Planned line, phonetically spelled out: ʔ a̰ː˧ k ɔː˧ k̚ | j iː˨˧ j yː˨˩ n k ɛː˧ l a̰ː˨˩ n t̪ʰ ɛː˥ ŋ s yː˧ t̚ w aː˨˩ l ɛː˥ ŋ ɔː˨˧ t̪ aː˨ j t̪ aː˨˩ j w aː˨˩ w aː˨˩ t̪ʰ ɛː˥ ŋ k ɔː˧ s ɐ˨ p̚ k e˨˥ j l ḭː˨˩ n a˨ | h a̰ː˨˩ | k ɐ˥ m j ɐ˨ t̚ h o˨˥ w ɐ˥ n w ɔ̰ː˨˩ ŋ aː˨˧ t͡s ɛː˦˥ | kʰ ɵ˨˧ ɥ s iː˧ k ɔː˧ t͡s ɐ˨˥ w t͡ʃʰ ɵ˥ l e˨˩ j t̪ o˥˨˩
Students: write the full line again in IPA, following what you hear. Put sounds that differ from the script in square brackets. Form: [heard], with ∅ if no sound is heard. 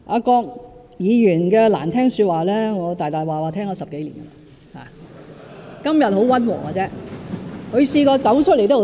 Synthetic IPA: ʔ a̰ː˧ k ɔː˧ k̚ | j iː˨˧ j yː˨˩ n k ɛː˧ l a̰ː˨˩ n t̪ʰ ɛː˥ ŋ s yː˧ t̚ w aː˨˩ l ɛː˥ ŋ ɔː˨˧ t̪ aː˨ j t̪ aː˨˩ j w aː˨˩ w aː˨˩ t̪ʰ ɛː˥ ŋ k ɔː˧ s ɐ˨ p̚ k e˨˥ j l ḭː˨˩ n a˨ | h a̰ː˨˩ | k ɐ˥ m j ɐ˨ t̚ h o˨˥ w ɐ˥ n w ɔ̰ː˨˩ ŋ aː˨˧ t͡s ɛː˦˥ | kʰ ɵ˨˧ ɥ s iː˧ k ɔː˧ t͡s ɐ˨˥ w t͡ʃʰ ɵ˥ l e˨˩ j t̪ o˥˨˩